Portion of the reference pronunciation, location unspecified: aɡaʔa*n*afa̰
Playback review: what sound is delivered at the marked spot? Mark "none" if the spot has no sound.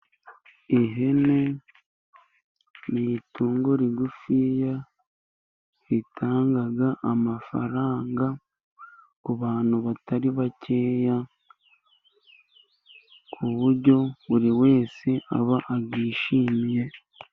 m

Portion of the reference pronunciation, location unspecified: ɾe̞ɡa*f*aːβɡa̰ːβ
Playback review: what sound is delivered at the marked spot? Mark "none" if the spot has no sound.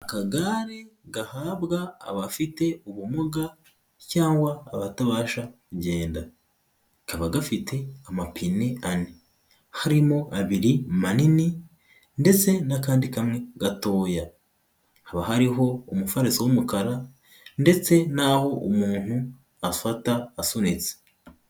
h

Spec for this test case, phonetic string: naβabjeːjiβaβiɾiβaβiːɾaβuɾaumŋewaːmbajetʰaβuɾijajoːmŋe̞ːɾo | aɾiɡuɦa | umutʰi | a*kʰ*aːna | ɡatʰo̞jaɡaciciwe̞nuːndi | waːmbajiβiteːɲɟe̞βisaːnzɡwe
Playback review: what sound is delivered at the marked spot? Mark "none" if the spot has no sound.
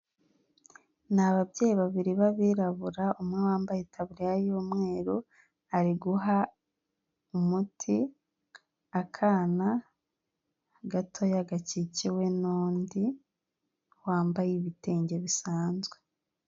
kʰ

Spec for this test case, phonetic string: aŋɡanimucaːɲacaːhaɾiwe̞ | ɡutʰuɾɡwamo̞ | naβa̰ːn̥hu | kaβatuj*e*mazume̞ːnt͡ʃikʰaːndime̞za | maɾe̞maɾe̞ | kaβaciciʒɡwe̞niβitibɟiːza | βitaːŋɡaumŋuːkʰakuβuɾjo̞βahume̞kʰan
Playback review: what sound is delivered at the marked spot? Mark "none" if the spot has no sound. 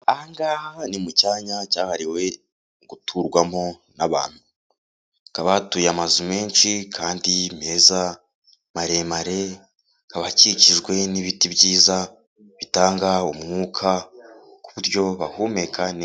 a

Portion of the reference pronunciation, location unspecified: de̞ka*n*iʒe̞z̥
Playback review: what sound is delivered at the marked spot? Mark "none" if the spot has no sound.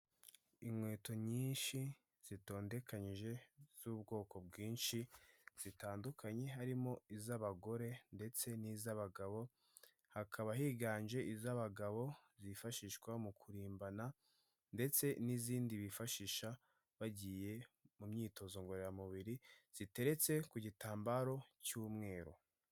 ɲ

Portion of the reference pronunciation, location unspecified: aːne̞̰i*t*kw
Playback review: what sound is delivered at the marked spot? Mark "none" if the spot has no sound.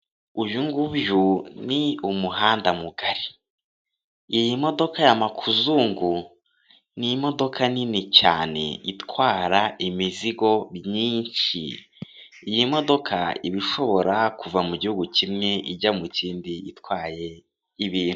t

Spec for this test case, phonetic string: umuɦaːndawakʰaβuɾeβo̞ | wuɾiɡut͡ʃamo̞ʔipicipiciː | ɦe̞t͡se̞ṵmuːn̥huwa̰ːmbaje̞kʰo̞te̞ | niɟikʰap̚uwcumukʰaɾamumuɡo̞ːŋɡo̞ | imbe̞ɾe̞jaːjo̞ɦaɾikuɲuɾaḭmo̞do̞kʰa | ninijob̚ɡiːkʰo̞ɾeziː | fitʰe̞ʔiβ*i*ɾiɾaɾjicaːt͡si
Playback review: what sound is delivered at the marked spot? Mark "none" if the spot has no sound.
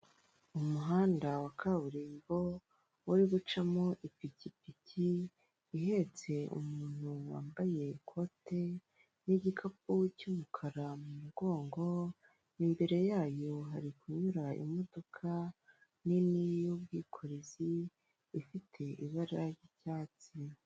a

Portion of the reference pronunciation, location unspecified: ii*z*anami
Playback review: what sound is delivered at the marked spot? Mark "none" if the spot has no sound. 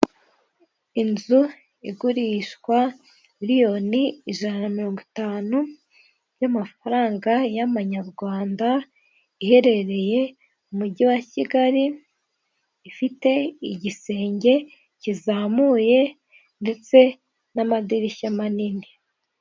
ʒ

